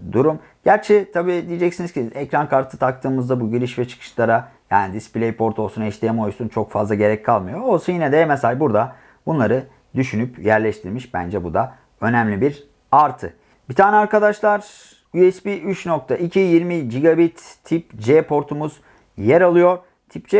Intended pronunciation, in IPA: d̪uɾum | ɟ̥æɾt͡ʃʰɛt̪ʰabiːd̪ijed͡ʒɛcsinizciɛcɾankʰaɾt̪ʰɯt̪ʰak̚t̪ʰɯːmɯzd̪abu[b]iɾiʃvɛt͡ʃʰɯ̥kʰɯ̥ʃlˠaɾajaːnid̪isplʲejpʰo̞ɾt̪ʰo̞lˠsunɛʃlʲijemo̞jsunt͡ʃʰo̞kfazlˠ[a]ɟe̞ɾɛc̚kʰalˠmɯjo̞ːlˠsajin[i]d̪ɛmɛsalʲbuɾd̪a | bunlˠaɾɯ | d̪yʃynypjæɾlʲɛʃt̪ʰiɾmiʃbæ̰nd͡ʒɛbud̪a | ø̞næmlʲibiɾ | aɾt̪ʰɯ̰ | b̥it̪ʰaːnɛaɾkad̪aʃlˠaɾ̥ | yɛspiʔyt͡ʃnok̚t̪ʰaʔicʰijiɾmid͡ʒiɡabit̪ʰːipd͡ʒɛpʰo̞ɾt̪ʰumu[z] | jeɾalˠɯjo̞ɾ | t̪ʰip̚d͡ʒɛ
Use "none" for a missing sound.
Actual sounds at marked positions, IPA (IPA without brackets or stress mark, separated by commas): ɟ, a, ɛ, z